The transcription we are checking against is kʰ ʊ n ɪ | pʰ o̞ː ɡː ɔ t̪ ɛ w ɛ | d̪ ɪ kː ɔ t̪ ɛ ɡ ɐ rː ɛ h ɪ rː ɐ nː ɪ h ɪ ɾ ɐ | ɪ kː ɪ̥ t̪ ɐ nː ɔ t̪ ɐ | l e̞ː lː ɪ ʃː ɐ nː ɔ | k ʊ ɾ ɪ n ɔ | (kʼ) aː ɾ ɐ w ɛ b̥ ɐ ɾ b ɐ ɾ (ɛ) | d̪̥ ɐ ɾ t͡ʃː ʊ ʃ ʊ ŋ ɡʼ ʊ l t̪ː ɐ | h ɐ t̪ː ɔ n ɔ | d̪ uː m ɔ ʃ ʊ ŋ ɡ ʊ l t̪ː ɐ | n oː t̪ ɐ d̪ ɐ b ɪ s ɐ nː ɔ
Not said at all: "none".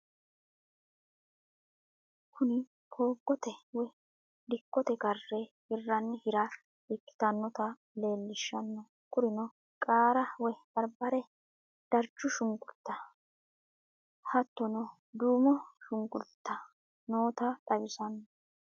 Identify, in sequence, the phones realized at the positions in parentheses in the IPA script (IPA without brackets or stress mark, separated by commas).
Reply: kʼ, ɛ